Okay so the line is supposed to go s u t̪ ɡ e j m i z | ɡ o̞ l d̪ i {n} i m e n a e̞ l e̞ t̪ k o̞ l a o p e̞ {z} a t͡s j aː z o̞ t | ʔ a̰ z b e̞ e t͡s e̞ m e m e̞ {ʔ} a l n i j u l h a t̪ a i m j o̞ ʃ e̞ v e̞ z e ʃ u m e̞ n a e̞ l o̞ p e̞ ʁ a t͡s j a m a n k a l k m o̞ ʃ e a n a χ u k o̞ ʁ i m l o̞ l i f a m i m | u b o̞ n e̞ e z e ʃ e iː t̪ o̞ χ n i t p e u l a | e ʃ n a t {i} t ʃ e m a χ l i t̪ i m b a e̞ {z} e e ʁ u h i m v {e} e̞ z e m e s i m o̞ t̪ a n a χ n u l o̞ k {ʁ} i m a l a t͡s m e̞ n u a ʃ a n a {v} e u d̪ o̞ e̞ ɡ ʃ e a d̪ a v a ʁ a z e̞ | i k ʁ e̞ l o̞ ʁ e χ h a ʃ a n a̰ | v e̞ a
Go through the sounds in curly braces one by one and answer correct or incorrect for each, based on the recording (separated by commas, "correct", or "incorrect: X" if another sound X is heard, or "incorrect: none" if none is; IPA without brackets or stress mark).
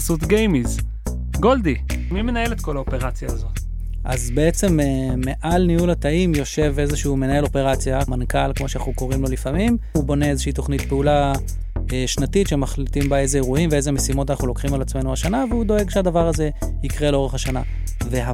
incorrect: m, incorrect: ʁ, correct, correct, correct, correct, incorrect: χ, correct